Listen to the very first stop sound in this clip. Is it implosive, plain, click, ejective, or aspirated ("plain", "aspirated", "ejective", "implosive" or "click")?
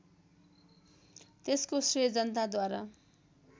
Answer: plain